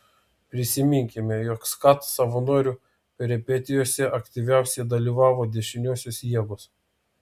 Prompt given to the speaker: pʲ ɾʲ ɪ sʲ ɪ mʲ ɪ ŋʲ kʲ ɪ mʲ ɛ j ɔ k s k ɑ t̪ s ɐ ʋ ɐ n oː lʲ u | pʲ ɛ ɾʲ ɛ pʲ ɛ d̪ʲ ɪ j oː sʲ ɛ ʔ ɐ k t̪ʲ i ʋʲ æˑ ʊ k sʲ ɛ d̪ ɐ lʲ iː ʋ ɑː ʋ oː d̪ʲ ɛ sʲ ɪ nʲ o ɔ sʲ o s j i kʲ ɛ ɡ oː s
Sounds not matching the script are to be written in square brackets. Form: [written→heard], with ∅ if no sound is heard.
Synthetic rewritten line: pʲ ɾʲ ɪ sʲ ɪ mʲ ɪ ŋʲ kʲ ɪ mʲ ɛ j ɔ k s k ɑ t̪ s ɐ ʋ ɐ n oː [lʲ→ɾʲ] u | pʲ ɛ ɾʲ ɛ pʲ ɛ [d̪ʲ→t̪ʲ] ɪ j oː sʲ ɛ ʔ ɐ k t̪ʲ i ʋʲ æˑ ʊ [k→∅] sʲ ɛ d̪ ɐ lʲ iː ʋ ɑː ʋ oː d̪ʲ ɛ [sʲ→ʃʲ] ɪ nʲ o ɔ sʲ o s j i [kʲ→∅] ɛ ɡ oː s